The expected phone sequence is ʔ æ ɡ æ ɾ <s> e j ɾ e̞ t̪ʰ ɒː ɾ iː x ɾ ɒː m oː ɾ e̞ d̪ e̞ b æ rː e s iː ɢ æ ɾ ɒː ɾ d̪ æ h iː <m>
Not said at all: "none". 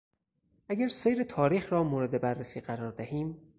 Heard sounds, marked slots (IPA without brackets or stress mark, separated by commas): s, m